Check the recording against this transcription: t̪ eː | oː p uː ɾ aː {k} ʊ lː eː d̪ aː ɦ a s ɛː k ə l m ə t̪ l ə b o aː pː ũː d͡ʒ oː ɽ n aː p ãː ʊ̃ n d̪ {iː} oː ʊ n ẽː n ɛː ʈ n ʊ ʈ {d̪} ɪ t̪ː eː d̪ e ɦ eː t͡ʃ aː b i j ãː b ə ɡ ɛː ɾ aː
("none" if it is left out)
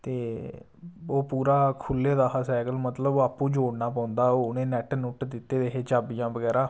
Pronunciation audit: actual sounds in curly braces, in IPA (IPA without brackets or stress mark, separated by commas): kʰ, aː, d̪